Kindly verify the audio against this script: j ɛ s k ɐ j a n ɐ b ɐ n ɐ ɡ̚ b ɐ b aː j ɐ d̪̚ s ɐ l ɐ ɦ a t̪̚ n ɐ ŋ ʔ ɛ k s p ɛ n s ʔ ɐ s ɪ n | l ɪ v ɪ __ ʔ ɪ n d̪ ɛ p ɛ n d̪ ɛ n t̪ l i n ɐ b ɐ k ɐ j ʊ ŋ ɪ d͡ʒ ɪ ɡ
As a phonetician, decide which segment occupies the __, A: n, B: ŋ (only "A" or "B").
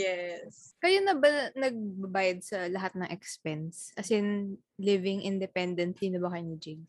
B